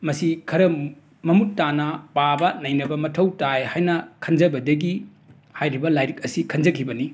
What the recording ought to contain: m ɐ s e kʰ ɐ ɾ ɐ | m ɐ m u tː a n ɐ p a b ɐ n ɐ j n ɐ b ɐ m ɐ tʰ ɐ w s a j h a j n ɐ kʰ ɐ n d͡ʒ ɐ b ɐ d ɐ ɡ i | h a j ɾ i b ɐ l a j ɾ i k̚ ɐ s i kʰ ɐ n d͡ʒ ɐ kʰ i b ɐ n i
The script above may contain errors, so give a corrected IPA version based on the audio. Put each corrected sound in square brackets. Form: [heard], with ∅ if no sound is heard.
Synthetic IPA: m ɐ s [i] kʰ ɐ ɾ ɐ | m ɐ m u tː a n ɐ p a b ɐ n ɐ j n ɐ b ɐ m ɐ tʰ ɐ w [t] a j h a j n ɐ kʰ ɐ n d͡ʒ ɐ b ɐ d ɐ ɡ i | h a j ɾ i b ɐ l a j ɾ i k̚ ɐ s i kʰ ɐ n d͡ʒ ɐ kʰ i b ɐ n i